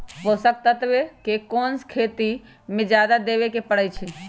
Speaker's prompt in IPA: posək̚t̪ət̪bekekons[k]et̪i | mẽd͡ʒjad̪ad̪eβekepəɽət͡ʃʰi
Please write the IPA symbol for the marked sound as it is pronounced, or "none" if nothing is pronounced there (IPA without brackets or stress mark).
kʰ